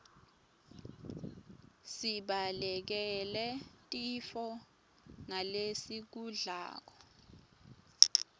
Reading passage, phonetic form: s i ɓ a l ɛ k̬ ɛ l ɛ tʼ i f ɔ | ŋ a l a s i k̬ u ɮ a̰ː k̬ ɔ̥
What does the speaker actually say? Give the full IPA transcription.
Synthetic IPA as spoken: s i ɓ a l ɛ k̬ ɛ l ɛ tʼ i f ɔ | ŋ a l e s i k̬ u ɮ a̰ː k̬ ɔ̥